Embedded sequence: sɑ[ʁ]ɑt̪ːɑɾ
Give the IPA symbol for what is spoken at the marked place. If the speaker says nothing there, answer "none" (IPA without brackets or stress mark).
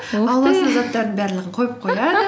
z